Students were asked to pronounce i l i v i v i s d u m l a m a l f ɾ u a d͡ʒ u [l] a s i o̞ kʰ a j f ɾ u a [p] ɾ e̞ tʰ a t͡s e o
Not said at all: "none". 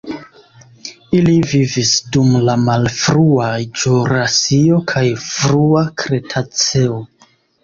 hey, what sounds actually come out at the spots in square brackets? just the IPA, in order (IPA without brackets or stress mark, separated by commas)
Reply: ɾ, k